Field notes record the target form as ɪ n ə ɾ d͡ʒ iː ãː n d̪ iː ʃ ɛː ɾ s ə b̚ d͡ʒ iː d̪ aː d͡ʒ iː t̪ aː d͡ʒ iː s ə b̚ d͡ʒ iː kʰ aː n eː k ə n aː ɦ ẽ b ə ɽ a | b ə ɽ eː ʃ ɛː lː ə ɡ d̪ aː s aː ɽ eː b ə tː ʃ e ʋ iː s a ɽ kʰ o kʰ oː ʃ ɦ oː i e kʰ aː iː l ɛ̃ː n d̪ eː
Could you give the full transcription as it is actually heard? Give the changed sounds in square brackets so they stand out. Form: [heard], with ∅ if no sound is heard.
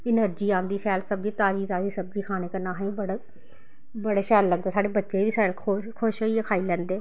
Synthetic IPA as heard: ɪ n ə ɾ d͡ʒ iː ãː n d̪ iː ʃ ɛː [l] s ə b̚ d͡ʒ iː [t̪] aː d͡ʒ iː t̪ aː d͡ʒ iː s ə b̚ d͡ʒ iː kʰ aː n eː k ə n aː ɦ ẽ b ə ɽ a | b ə ɽ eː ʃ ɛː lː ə ɡ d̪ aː s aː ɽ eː b ə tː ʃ e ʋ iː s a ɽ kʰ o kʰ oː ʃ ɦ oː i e kʰ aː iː l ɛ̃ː n d̪ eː